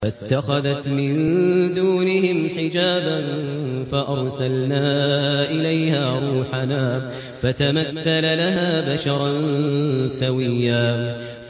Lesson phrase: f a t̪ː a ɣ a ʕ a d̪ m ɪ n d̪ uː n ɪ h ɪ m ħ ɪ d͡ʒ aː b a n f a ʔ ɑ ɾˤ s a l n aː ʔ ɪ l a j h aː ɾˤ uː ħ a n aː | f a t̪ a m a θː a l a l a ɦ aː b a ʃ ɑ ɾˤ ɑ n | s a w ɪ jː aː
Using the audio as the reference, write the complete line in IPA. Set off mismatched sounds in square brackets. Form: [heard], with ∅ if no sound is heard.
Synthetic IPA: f a t̪ː a [x] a [ð] a [t̪] m ɪ n d̪ uː n ɪ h ɪ m ħ ɪ d͡ʒ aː b a n f a ʔ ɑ ɾˤ s a l n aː ʔ ɪ l a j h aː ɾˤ uː ħ a n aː | f a t̪ a m a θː a l a l a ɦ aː b a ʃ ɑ ɾˤ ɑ n | s a w ɪ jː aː